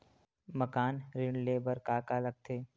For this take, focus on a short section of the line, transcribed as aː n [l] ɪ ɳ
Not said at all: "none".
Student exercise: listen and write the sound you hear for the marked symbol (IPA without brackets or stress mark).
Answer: ɾ